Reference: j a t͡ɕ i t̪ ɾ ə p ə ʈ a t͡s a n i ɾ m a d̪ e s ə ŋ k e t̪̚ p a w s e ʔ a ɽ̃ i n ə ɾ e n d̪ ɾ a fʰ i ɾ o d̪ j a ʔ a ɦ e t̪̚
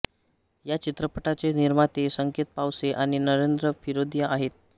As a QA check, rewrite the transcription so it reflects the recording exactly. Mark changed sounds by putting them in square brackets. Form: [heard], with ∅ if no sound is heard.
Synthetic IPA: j a t͡ɕ i t̪ ɾ ə p ə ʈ a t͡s [e] n i ɾ m a [t̪] e s ə ŋ k e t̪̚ p a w s e ʔ a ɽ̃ i n ə ɾ e n d̪ ɾ [ə] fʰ i ɾ o d̪ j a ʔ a ɦ e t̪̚